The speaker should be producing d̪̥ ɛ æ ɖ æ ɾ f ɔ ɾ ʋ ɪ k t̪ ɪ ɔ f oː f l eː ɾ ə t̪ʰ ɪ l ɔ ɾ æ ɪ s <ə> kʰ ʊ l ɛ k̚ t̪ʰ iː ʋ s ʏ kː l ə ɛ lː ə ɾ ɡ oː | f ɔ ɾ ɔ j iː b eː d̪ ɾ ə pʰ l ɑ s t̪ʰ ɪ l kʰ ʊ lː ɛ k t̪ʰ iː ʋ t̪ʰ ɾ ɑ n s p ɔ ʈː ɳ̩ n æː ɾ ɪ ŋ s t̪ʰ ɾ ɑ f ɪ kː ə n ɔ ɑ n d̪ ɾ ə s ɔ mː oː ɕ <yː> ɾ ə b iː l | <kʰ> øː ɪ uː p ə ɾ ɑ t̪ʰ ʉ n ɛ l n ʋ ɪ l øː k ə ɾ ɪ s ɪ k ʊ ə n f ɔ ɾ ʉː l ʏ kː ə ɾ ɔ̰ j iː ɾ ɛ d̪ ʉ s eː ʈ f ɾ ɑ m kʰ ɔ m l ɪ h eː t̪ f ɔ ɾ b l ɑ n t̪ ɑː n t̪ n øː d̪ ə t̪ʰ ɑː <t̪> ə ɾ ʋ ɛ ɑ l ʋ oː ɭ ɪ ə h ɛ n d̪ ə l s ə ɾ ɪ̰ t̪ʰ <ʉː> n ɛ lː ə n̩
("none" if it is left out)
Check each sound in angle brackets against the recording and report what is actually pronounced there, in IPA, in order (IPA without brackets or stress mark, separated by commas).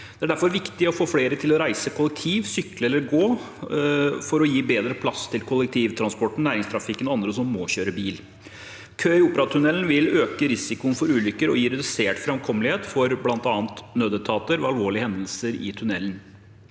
ə, øː, kʰ, t̪, ʉ